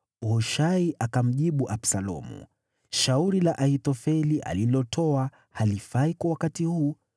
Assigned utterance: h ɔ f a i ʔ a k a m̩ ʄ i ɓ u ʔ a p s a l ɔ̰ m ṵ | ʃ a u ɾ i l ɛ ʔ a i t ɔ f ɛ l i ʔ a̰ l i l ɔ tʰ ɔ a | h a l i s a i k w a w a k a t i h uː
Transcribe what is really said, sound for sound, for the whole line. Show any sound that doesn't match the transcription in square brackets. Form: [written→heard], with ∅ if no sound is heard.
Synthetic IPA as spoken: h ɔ [f→ʃ] a i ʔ a k a m̩ ʄ i ɓ u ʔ a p s a l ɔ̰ m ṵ | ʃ a u ɾ i l [ɛ→a] ʔ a i t ɔ f ɛ l i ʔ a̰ l i l ɔ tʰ ɔ a | h a l i [s→f] a i k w a w a k a t i h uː